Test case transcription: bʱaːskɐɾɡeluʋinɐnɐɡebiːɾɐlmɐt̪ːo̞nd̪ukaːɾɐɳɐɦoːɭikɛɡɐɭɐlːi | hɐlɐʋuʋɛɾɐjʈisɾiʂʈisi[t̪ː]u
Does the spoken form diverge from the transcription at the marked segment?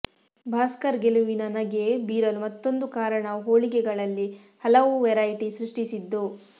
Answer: yes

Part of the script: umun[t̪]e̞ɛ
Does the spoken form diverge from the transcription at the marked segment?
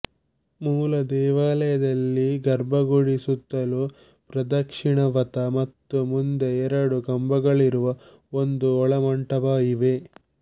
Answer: yes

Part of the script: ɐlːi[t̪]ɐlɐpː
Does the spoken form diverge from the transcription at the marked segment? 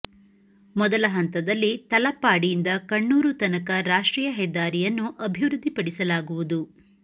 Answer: no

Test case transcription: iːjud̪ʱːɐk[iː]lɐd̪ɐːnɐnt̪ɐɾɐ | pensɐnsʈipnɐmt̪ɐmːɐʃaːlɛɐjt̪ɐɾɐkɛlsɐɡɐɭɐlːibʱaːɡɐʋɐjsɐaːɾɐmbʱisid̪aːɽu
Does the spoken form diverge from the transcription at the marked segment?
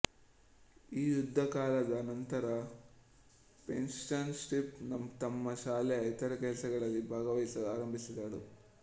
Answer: yes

